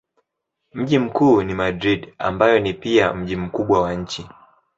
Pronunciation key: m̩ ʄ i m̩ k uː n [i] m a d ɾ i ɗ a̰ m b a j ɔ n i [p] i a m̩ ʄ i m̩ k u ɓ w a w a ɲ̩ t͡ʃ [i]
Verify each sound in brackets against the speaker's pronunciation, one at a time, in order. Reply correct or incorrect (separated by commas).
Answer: correct, correct, correct